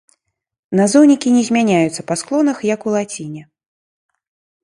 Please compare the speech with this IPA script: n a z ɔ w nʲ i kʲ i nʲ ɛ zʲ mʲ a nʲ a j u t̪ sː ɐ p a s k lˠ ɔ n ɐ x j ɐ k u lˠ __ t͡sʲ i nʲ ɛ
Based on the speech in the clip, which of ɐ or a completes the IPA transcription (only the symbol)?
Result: a